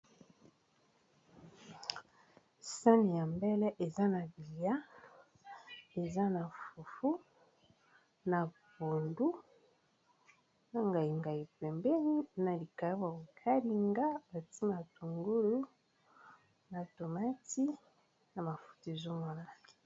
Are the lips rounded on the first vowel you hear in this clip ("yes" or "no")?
no